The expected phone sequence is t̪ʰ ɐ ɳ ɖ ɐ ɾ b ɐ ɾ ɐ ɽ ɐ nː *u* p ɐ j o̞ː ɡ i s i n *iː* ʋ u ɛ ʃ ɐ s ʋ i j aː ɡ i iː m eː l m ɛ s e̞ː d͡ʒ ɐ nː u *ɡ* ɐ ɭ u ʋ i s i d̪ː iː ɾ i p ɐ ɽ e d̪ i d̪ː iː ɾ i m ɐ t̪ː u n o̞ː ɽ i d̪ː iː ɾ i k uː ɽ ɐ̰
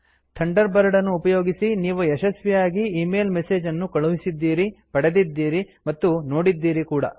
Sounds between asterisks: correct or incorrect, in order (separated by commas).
incorrect, correct, incorrect